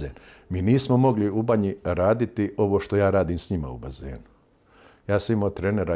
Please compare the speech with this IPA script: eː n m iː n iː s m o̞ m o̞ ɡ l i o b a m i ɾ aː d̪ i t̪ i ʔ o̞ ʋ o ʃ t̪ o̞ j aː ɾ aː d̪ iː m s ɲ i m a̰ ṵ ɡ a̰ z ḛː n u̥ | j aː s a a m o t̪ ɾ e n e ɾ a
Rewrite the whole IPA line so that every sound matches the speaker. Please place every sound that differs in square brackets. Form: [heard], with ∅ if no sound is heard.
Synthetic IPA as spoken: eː n m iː n iː s m o̞ m o̞ ɡ l i [u] b a [ɲ] i ɾ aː d̪ i t̪ i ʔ o̞ ʋ o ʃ t̪ o̞ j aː ɾ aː d̪ iː m s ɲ i m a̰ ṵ [b] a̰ z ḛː n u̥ | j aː s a [i] m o t̪ ɾ e n e ɾ a